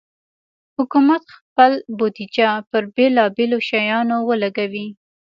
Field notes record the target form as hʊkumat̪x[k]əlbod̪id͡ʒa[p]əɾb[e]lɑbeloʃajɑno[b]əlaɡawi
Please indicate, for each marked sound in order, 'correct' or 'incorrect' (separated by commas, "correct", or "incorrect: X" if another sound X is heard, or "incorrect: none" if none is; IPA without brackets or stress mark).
incorrect: p, correct, correct, incorrect: w